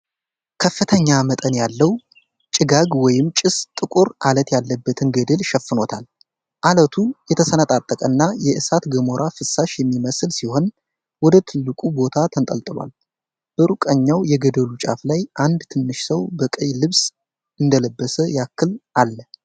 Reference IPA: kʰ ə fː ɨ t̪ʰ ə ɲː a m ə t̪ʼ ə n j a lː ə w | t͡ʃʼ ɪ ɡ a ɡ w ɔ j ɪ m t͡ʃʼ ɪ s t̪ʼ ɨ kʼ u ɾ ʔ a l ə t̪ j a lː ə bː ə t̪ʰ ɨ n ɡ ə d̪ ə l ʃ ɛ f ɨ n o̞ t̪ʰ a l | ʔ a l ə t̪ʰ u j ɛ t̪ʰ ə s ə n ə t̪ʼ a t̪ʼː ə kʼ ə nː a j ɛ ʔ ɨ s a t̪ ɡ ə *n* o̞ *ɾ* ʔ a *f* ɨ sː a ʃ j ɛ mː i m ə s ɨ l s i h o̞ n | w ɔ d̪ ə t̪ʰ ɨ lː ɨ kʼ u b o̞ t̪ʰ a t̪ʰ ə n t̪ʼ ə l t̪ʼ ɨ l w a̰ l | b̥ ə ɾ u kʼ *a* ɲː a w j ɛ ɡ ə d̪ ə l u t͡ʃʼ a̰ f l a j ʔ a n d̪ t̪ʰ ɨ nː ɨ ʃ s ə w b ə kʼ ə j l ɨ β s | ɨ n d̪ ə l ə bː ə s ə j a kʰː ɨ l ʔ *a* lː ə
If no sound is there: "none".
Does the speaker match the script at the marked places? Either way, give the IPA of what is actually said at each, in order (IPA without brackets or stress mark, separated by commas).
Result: m, ɾ, f, ə, a